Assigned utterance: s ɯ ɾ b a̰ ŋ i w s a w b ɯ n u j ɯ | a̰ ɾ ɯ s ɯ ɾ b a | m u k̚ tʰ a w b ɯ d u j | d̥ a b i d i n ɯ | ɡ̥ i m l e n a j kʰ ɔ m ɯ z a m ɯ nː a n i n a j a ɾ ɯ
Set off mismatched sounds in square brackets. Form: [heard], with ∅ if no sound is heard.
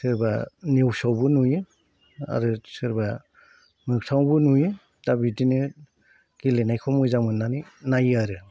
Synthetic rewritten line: s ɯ ɾ b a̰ [n] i w s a w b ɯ n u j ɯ | a̰ ɾ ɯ s ɯ ɾ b a | m [ɯ] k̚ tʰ a w b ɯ [n] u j | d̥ a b i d i n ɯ | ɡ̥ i [∅] l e n a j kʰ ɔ m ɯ z a m ɯ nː a n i n a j a ɾ ɯ